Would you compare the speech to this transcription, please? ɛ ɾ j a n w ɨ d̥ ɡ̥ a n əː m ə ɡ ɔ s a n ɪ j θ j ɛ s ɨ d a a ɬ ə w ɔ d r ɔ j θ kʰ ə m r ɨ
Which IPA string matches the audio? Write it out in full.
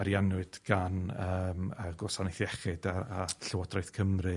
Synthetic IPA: a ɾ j a n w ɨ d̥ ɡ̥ a n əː m ə ɡ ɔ s a n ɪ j θ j ɛ χ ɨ d a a ɬ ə w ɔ d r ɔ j θ kʰ ə m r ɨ